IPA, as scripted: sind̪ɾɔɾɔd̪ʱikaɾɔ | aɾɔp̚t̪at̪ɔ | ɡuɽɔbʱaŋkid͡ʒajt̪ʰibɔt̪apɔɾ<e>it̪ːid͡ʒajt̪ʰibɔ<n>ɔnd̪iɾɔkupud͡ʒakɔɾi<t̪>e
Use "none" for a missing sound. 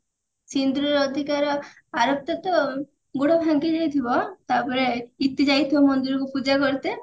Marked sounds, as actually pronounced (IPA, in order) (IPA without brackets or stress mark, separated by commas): e, m, t̪